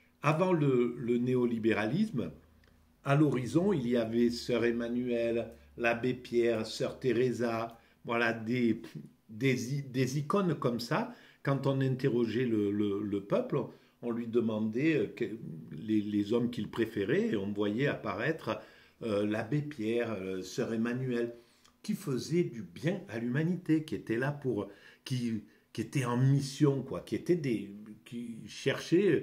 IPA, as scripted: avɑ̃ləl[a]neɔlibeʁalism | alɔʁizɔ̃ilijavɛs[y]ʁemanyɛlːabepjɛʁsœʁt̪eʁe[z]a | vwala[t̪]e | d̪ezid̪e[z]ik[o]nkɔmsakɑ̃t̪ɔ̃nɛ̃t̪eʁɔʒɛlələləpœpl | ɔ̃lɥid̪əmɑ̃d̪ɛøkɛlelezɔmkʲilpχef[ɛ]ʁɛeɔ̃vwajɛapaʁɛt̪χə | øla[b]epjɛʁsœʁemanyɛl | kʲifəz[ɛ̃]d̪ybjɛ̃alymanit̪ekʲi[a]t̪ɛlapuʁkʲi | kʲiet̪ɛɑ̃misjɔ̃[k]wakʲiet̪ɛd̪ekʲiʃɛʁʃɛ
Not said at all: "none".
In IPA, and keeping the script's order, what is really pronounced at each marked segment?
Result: ə, œ, z, d̪, z, ɔ, e, b, ɛ, e, k

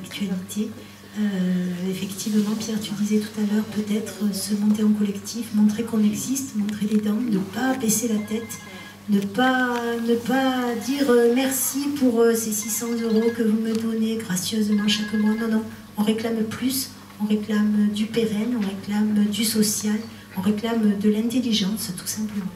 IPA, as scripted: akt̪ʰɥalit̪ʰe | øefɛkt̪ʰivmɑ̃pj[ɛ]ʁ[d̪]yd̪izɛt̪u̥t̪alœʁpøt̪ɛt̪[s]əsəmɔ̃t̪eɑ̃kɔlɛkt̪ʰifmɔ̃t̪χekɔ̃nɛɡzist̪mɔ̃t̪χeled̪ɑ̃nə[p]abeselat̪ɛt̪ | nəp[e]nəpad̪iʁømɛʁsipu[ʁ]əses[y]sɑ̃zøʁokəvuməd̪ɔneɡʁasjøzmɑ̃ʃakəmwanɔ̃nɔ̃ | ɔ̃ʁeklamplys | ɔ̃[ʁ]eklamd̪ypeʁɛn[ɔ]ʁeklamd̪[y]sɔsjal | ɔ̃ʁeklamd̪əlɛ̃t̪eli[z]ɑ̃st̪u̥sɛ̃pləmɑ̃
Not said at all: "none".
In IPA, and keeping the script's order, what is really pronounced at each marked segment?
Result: ɛ, t̪, χ, p, a, ʁ, i, ʁ, ɔ̃, y, ʒ

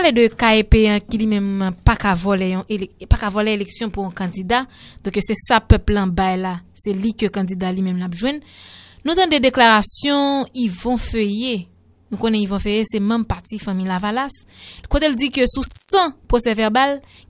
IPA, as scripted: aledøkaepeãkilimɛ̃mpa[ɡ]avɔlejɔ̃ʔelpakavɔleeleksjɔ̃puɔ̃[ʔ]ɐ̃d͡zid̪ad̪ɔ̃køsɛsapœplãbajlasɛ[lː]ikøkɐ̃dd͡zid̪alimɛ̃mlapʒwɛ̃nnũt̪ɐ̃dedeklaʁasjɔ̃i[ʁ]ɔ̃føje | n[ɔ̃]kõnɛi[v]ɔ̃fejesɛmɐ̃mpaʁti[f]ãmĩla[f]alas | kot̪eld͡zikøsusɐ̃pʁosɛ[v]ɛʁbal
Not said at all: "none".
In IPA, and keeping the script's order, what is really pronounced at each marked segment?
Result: k, k, l, v, ũ, v, f, v, v

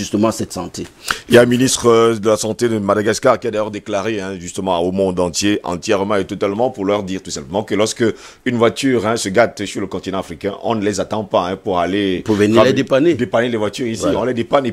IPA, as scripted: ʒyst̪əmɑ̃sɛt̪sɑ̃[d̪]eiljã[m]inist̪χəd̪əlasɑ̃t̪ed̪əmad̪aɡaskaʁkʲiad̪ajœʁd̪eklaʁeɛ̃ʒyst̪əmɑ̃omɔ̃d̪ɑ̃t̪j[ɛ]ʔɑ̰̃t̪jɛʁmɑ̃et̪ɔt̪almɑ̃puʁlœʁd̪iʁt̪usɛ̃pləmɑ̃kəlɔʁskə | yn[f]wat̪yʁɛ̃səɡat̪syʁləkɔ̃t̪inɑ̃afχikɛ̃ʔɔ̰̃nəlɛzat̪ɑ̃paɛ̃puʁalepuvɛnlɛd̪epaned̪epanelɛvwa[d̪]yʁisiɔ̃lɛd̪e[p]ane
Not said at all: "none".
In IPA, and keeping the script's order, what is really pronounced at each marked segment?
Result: t̪, m, e, v, t̪, p

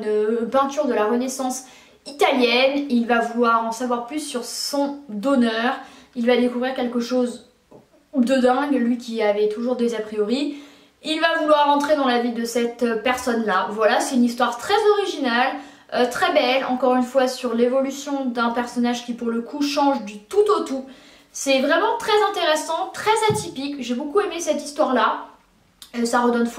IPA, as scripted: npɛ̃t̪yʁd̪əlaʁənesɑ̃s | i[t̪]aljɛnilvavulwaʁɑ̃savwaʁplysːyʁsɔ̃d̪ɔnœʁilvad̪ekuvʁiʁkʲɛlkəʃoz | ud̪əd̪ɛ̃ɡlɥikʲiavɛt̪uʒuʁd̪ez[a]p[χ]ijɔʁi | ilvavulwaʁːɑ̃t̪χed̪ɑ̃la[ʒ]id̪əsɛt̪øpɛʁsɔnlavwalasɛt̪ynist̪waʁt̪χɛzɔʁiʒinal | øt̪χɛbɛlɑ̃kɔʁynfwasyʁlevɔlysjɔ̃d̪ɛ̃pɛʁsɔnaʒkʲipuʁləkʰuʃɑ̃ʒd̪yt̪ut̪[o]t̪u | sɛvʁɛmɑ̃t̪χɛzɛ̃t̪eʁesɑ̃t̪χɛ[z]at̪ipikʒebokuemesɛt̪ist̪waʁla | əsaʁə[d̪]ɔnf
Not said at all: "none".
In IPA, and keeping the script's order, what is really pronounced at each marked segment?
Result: t̪, a, χ, v, o, z, d̪

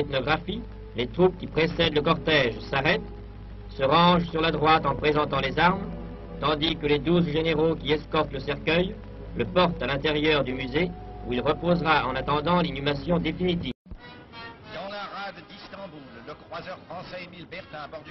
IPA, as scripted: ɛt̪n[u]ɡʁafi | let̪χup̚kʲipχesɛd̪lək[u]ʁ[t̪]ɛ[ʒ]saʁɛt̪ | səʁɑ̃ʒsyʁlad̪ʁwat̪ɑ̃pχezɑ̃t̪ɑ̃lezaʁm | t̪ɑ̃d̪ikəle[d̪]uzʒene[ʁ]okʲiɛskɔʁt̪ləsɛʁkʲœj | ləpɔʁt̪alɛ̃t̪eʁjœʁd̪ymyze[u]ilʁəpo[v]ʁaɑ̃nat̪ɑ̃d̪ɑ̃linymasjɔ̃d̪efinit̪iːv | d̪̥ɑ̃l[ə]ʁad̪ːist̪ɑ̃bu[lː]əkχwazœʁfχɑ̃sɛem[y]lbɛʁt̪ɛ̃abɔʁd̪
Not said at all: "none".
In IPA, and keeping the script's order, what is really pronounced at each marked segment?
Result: ɔ, ɔ, t̪, ʒ, d̪, ʁ, u, z, a, lː, i

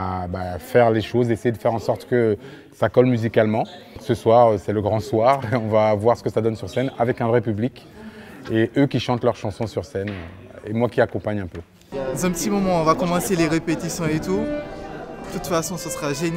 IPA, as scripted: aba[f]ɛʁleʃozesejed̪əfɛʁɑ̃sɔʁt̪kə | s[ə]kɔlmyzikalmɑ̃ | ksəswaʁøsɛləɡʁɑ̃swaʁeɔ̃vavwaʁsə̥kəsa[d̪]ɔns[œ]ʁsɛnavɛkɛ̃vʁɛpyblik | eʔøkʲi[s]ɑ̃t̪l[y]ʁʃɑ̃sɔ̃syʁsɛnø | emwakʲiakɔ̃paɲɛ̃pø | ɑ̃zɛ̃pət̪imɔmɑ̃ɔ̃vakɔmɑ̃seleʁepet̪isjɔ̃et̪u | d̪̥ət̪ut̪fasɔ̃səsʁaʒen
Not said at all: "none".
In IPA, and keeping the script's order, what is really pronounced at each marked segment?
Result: f, a, d̪, y, ʃ, œ

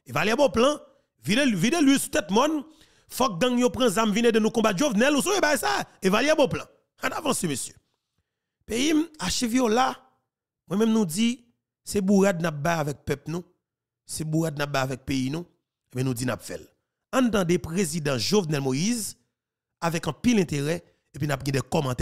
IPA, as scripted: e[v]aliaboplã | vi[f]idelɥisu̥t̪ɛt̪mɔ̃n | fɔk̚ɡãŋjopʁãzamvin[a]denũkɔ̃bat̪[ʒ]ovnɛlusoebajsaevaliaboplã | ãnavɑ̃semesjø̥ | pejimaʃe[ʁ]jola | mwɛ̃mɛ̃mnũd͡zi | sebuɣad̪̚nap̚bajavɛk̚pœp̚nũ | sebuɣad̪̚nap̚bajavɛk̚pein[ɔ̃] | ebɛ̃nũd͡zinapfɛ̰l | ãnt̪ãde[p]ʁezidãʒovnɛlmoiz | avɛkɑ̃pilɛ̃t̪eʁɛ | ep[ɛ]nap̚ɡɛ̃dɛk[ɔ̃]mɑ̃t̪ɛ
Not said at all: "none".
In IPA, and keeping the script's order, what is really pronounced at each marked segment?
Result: v, v, e, ʒ, v, ũ, p, i, ɔ

